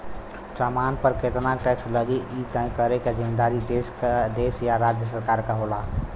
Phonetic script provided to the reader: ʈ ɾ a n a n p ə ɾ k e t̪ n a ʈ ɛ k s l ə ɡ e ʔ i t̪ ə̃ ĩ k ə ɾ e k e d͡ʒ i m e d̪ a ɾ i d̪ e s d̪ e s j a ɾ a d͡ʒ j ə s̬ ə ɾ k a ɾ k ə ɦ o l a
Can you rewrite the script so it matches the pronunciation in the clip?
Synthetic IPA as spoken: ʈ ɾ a m a n p ə ɾ k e t̪ n a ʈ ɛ k s l ə ɡ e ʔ i t̪ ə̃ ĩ k ə ɾ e k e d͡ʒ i m e d̪ a ɾ i d̪ e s d̪ e s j a ɾ a d͡ʒ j ə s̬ ə ɾ k a ɾ k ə ɦ o l a